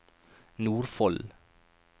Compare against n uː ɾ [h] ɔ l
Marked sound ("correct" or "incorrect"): incorrect